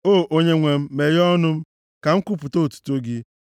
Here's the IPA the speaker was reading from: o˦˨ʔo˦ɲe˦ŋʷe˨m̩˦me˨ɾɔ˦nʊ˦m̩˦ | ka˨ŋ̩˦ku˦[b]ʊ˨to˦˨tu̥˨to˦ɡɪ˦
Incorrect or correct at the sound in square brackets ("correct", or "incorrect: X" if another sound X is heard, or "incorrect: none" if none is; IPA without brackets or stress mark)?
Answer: incorrect: p